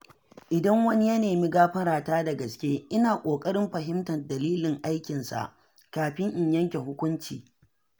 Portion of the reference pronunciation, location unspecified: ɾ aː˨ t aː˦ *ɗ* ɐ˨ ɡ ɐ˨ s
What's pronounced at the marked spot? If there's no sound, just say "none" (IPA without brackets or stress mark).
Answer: d